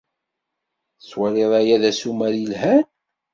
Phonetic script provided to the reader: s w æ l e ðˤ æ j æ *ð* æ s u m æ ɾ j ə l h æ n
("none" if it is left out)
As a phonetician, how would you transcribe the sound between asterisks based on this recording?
ð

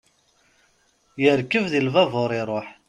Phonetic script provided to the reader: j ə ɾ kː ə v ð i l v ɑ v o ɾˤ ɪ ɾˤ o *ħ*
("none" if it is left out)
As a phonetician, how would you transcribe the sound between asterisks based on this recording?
ħ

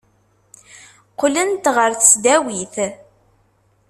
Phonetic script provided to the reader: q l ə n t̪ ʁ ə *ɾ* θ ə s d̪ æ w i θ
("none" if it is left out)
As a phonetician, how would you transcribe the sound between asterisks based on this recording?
ɾ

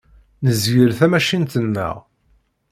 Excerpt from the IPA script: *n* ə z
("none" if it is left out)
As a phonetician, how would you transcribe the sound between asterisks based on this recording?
n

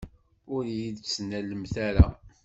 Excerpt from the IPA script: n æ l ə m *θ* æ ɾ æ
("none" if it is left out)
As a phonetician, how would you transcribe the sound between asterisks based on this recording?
θ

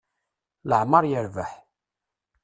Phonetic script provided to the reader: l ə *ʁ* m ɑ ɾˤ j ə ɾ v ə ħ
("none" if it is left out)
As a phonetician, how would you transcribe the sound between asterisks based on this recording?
ʕ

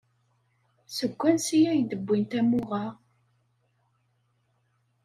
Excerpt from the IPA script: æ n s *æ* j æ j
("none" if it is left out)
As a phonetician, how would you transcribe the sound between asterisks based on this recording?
i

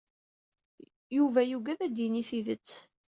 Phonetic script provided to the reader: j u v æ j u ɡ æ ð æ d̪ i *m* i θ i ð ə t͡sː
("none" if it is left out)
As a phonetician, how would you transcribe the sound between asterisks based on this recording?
n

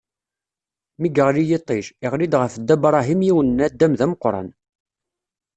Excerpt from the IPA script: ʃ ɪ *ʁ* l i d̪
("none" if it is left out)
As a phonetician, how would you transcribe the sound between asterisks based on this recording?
ʁ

